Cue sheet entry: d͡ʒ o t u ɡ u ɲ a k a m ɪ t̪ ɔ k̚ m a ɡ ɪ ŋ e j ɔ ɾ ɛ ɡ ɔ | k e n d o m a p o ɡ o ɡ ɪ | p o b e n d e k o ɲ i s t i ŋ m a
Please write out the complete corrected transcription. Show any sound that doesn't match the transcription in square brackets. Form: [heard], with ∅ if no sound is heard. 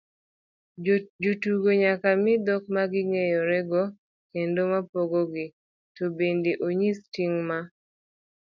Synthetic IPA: d͡ʒ o t u ɡ [o] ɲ a k a m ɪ [d̪] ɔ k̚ m a ɡ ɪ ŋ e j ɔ ɾ ɛ ɡ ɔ | k e n d o m a p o ɡ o ɡ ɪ | [t] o b e n d e [ʔ] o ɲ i s t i ŋ m a